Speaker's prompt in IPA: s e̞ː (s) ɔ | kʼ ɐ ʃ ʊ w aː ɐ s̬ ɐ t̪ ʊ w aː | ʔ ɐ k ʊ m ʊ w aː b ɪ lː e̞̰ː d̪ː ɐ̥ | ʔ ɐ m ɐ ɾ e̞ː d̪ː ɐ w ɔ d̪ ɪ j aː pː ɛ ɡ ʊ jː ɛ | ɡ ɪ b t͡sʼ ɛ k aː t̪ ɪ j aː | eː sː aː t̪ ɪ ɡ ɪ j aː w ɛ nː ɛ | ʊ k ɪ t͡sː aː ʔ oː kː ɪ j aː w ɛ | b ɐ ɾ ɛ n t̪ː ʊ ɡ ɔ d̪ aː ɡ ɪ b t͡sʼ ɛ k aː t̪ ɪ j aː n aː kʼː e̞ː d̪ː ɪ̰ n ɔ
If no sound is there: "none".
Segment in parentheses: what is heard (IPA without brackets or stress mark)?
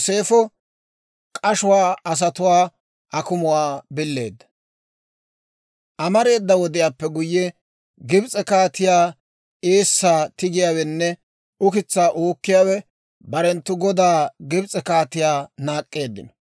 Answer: f